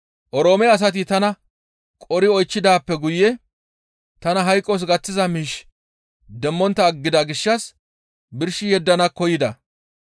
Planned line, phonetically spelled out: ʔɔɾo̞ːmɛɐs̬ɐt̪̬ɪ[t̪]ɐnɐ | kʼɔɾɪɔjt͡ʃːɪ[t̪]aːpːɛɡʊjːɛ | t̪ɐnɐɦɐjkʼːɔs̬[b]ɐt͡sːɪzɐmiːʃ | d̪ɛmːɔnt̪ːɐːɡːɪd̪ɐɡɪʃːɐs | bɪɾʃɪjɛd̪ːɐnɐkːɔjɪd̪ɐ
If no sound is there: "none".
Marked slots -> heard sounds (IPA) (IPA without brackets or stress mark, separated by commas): t̪, d̪, ɡ